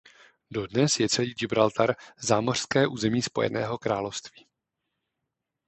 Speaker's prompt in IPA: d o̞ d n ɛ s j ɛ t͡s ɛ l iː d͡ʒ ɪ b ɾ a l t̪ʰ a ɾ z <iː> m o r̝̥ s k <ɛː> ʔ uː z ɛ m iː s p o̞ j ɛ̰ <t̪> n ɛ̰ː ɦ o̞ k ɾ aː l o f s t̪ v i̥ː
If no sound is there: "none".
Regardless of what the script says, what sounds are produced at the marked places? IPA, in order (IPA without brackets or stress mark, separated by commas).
aː, ɛː, none